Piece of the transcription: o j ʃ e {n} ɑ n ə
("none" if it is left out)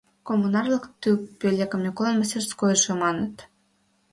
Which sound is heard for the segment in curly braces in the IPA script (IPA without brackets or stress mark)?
m